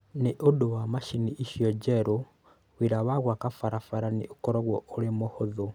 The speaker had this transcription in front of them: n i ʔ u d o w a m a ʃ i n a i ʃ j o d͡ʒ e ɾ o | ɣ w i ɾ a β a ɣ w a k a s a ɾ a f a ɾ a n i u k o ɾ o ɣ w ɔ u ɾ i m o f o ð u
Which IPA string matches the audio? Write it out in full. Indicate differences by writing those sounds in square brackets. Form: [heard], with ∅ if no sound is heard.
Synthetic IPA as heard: n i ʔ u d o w a m a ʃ i n [i] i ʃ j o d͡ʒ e ɾ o | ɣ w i ɾ a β a ɣ w a k a [f] a ɾ a f a ɾ a n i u k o ɾ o ɣ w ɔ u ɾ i m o [h] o ð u